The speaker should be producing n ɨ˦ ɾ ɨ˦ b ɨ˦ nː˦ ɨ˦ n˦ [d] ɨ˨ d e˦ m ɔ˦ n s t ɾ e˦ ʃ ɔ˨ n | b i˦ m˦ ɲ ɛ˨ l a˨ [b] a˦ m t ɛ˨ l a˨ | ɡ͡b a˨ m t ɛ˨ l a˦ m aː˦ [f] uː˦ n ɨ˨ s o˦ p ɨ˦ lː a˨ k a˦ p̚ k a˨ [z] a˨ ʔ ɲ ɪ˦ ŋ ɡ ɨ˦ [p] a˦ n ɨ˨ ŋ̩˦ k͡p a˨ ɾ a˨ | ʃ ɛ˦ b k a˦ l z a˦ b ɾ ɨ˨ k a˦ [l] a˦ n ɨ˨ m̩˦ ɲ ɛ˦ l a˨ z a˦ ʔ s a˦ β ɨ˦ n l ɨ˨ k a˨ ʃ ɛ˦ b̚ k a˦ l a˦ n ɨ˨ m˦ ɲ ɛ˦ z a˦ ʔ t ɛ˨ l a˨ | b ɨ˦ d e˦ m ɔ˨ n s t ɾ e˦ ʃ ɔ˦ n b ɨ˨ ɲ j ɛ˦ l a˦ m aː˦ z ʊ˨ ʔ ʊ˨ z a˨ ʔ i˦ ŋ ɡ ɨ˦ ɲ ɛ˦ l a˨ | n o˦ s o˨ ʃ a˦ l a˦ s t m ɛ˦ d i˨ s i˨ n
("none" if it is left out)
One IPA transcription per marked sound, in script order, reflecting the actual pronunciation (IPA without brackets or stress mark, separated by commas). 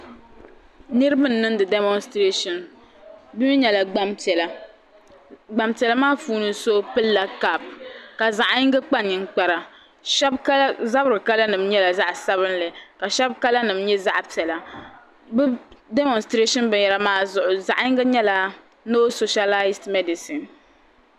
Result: d, ɡ͡b, f, z, k͡p, l